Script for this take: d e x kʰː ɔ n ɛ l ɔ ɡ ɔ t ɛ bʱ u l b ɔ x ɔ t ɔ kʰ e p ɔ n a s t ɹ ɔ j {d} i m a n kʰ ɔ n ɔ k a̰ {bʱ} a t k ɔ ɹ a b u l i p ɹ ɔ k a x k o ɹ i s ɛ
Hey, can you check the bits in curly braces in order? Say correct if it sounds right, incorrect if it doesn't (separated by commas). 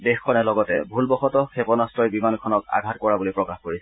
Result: incorrect, incorrect